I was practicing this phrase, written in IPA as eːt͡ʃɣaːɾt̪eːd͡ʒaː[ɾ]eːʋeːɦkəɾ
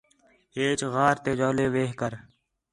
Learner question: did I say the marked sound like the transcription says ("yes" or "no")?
no